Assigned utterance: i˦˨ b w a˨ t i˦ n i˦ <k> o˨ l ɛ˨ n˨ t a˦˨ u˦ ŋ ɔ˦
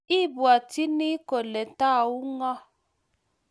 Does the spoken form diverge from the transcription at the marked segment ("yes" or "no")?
no